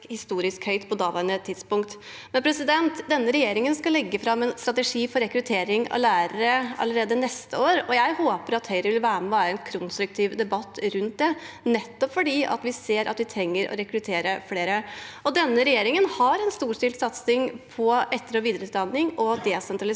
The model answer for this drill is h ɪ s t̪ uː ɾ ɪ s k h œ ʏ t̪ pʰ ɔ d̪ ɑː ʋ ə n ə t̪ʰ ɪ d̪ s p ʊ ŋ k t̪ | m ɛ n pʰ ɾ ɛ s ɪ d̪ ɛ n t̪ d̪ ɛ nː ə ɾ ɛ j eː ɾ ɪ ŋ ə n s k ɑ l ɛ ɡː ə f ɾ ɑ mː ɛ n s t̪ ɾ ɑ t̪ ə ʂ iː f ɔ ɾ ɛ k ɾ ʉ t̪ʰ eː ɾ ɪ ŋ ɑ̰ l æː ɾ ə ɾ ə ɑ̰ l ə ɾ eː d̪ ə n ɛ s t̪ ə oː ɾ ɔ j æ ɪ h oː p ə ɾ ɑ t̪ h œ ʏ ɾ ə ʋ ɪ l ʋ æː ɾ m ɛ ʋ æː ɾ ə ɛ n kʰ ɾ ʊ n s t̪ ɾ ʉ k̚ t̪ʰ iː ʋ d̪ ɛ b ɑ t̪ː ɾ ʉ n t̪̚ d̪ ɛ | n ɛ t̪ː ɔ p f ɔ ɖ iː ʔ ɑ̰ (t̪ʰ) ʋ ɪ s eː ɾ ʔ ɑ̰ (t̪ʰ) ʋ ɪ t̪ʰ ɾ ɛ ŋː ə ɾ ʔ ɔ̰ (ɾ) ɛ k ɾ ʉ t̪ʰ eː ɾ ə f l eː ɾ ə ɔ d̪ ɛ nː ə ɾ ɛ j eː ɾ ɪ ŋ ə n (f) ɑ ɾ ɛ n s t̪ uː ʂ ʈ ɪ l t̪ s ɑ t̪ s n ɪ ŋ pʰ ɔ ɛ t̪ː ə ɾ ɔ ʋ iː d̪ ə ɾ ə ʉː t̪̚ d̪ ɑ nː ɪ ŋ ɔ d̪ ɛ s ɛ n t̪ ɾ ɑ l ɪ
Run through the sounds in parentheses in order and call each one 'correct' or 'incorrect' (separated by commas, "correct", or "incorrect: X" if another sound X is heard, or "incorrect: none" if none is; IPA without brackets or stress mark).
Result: incorrect: t̪, incorrect: t̪, correct, incorrect: h